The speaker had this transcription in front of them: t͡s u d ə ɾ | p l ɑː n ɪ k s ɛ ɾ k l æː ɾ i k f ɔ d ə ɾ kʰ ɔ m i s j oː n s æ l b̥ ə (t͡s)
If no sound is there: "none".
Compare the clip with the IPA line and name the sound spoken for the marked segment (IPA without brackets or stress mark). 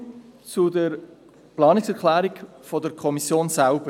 none